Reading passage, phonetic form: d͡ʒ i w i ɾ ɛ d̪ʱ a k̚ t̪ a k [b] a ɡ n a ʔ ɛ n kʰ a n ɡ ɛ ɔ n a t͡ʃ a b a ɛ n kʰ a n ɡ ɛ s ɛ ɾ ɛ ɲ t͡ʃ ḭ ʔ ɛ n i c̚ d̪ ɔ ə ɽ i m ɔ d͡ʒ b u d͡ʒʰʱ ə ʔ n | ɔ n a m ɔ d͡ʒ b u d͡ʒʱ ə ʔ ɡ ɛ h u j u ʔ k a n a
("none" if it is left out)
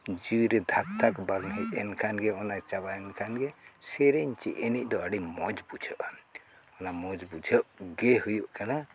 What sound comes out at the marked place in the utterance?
b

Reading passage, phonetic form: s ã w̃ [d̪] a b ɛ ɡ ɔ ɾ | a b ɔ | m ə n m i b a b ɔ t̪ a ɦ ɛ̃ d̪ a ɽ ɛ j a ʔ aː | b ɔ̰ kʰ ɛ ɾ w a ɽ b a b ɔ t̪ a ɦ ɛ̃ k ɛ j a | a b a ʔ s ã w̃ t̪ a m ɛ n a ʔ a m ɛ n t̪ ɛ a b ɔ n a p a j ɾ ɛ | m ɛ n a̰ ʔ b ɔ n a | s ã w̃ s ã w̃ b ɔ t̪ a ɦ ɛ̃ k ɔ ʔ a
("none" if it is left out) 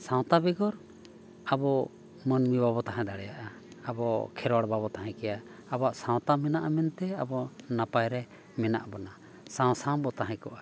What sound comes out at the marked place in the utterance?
t̪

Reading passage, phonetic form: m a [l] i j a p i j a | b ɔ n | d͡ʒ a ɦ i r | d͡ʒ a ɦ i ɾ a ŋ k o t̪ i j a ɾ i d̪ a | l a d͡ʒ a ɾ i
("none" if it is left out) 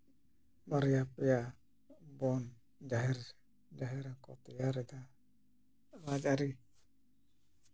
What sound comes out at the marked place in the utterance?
ɾ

